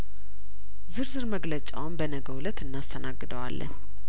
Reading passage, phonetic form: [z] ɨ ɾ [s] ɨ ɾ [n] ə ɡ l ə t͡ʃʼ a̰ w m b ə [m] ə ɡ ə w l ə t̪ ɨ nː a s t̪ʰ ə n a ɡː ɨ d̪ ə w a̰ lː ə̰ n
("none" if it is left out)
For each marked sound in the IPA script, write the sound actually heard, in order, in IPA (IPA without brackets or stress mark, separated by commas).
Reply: z, z, m, n